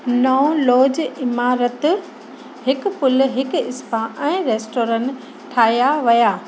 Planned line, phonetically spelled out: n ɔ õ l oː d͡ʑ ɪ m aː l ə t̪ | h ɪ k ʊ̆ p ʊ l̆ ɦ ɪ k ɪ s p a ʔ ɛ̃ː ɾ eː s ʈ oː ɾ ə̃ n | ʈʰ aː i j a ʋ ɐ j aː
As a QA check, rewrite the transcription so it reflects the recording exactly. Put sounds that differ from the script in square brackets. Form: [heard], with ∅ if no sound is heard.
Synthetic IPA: n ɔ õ l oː d͡ʑ ɪ m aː [ɾ] ə t̪ | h ɪ k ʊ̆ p ʊ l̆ ɦ ɪ k ɪ s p a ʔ ɛ̃ː ɾ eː s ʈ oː ɾ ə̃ n | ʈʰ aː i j a ʋ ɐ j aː